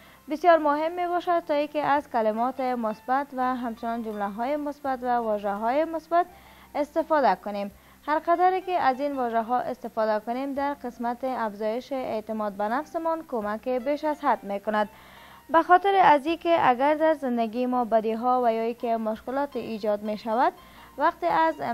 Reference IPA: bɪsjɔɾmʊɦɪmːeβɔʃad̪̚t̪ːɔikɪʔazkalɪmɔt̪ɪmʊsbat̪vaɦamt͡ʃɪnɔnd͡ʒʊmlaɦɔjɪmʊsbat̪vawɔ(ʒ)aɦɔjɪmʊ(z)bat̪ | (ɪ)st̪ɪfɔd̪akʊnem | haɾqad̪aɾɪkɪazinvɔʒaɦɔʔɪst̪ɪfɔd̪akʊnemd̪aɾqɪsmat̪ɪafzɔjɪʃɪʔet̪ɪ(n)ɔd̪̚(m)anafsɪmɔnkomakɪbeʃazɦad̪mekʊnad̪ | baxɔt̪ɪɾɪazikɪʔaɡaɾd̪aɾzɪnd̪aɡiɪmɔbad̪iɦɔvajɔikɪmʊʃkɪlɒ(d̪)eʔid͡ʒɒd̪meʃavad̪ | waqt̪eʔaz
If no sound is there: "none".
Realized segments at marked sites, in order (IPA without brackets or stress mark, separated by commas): ʒ, s, ɪ, m, b, t̪